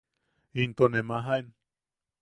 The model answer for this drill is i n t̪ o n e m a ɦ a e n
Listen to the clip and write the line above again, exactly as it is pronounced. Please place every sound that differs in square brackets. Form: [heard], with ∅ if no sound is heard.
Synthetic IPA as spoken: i n t̪ o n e m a ɦ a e n